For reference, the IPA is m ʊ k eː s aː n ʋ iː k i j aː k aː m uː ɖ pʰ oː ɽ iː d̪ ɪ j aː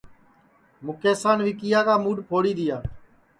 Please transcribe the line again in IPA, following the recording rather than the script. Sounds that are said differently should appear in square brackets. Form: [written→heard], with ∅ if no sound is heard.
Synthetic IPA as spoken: m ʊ k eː s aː n ʋ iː k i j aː k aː m uː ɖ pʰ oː ɽ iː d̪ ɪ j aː